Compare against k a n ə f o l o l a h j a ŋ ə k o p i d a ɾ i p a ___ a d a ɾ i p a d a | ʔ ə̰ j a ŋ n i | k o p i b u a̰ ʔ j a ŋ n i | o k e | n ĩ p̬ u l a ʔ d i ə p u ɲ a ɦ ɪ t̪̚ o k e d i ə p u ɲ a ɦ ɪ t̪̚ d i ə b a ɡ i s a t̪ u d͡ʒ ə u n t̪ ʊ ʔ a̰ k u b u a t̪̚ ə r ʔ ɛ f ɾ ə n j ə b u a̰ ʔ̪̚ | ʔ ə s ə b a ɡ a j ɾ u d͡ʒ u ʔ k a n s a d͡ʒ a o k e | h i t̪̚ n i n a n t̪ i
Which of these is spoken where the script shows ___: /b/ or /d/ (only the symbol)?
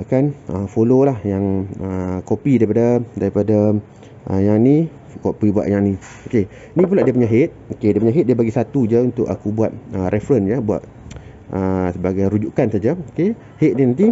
d